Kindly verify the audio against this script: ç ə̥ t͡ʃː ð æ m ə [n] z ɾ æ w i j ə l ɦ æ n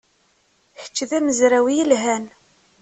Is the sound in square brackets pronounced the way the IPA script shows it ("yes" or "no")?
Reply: no